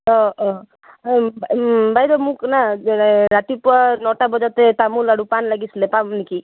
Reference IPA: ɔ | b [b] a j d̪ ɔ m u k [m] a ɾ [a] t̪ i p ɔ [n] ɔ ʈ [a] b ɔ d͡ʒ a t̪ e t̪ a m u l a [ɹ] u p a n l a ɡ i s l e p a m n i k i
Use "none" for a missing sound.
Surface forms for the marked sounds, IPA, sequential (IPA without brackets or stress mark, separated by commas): b, n, a, n, a, ɽ